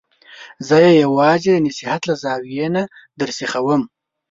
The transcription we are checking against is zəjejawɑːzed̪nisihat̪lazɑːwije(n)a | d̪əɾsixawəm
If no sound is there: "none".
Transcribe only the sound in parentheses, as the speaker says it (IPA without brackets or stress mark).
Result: n